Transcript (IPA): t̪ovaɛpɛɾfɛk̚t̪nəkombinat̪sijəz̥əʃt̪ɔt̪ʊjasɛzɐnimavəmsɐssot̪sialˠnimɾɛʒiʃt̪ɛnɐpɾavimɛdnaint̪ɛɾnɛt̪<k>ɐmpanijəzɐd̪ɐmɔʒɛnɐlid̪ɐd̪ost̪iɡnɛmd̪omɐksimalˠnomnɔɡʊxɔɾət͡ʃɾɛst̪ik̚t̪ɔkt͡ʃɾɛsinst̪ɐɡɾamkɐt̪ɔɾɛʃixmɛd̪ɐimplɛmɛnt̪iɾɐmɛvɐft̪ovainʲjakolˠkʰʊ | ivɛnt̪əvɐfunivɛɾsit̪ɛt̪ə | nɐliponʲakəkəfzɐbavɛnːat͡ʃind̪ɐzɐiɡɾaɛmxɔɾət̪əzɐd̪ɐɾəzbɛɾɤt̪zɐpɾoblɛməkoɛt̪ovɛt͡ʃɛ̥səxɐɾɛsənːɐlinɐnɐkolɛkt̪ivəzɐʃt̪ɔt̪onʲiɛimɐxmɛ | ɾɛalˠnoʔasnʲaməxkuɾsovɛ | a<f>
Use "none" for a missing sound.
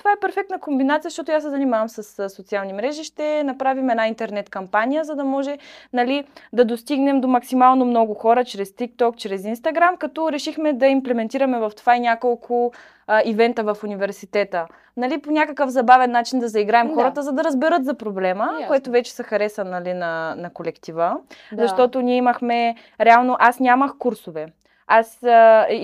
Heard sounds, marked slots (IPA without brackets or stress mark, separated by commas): k, s